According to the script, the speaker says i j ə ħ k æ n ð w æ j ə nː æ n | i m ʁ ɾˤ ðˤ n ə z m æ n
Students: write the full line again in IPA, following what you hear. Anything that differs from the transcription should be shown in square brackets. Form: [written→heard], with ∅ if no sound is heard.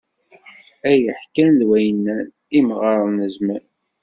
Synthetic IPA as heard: [i→æ] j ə ħ k æ n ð w æ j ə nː æ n | i m ʁ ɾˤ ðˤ n ə z m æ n